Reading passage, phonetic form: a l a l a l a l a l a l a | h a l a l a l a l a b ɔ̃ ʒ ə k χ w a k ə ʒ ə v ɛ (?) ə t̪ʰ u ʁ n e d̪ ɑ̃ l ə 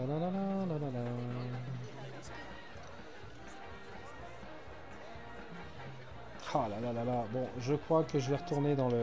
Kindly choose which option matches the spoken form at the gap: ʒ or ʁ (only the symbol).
ʁ